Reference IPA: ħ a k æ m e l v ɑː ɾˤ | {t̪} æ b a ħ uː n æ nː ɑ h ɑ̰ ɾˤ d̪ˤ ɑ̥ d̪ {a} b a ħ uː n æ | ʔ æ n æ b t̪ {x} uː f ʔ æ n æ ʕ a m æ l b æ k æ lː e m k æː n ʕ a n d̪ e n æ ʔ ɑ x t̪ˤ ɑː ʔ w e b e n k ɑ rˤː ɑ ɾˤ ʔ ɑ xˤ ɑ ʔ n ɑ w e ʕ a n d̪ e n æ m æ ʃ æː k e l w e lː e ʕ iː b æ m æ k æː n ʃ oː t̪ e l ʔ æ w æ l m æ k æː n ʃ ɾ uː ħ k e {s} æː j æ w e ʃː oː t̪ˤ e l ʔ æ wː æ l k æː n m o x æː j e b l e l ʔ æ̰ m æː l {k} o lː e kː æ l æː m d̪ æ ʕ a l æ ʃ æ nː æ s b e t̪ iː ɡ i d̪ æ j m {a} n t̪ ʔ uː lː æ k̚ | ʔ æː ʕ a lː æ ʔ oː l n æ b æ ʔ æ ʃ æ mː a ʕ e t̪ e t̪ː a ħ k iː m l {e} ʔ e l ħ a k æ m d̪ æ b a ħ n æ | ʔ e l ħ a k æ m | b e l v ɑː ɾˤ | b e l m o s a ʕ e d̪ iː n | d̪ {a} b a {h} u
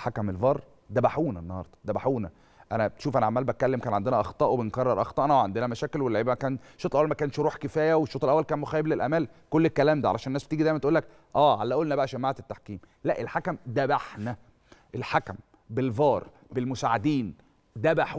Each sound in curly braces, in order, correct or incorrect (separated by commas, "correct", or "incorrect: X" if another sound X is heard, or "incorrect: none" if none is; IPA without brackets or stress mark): incorrect: d̪, incorrect: æ, incorrect: ʃ, incorrect: f, correct, incorrect: æ, incorrect: æ, incorrect: æ, incorrect: ħ